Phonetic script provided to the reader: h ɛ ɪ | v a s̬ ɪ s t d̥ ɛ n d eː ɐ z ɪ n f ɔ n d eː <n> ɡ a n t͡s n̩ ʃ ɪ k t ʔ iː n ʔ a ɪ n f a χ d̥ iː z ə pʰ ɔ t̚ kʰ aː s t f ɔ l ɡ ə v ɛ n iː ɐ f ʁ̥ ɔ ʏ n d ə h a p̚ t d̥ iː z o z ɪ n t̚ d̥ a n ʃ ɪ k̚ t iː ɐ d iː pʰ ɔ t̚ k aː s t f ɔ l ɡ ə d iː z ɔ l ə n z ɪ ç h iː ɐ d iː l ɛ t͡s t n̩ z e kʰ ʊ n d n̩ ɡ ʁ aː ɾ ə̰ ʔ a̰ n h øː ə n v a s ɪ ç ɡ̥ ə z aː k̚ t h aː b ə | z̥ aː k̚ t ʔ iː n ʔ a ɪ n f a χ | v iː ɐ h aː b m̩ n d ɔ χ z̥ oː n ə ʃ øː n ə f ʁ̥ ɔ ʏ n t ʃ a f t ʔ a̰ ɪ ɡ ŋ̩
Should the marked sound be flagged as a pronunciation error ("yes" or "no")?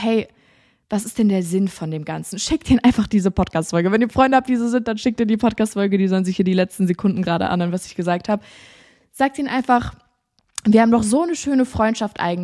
yes